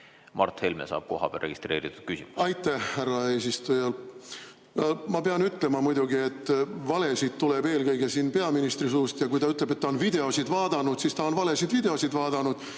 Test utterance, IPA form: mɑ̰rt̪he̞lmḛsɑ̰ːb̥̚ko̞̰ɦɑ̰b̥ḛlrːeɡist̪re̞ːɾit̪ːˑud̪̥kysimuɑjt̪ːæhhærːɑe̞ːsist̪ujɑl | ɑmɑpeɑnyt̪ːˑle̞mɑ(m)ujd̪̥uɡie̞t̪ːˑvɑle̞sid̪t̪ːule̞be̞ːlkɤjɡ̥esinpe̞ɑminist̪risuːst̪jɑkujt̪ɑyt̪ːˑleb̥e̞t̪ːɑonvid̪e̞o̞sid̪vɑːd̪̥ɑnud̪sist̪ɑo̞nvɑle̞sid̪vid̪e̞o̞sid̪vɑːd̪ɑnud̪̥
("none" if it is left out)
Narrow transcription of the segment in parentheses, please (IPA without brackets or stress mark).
m